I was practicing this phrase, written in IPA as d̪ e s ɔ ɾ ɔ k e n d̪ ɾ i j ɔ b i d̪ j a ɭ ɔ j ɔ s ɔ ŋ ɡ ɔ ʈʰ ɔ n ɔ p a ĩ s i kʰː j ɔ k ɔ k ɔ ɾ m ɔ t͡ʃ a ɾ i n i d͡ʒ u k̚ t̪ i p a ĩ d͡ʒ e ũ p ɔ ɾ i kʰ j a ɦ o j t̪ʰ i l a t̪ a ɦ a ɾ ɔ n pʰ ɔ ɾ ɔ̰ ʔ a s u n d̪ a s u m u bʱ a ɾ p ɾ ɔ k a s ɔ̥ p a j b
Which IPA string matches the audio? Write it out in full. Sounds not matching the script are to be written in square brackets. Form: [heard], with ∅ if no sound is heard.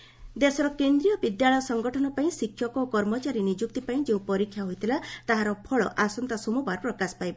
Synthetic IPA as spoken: d̪ e s ɔ ɾ ɔ k e n d̪ ɾ i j ɔ b i d̪ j a ɭ ɔ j ɔ s ɔ ŋ ɡ ɔ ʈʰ ɔ n ɔ p a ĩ s i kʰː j ɔ k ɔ k ɔ ɾ m ɔ t͡ʃ a ɾ i n i d͡ʒ u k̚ t̪ i p a ĩ d͡ʒ e ũ p ɔ ɾ i kʰ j a ɦ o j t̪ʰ i l a t̪ a ɦ a ɾ ɔ [∅] pʰ ɔ [ɭ] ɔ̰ ʔ a s [ɔ] n [t̪] a s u m u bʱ a ɾ p ɾ ɔ k a s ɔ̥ p a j b